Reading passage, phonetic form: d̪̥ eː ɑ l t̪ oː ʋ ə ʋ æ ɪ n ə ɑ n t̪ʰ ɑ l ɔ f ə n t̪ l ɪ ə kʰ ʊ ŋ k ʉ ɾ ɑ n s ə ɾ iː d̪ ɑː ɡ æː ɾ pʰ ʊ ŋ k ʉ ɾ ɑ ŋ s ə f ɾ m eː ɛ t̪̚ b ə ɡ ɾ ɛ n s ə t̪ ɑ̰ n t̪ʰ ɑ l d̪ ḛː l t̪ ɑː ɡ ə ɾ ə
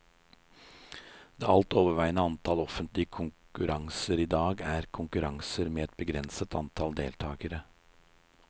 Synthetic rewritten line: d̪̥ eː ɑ l t̪ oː ʋ ə ʋ æ ɪ n ə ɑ n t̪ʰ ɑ l ɔ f ə n t̪ l ɪ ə kʰ ʊ ŋ k ʉ ɾ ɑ ŋ s ə ɾ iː d̪ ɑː ɡ æː ɾ kʰ ʊ ŋ k ʉ ɾ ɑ ŋ s ə ɾ m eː ɛ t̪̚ b ə ɡ ɾ ɛ n s ə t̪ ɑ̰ n t̪ʰ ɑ l d̪ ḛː l t̪ʰ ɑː ɡ ə ɾ ə